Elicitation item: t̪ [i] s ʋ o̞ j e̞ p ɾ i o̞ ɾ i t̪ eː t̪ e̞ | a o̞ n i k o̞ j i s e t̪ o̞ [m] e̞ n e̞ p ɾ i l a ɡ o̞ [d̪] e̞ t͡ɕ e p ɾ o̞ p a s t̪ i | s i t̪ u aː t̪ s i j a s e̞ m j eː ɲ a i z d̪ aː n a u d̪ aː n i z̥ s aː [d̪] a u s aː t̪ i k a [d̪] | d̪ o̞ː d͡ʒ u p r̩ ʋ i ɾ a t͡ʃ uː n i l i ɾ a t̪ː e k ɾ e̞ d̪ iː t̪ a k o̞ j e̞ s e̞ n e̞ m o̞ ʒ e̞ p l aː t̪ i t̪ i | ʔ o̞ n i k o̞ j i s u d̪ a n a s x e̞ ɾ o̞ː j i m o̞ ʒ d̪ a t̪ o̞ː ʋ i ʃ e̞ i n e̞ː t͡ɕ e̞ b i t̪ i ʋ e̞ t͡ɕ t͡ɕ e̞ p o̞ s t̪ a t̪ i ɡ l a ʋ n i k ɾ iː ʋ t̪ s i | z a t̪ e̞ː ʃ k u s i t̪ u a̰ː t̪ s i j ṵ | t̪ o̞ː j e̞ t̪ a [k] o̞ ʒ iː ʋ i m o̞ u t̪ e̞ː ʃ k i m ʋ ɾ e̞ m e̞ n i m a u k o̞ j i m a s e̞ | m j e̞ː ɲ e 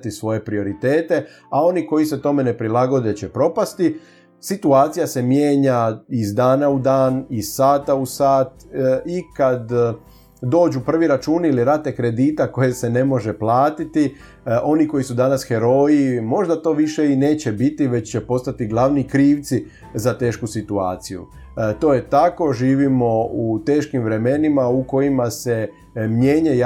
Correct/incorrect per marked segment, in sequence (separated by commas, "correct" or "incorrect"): correct, correct, correct, incorrect, correct, correct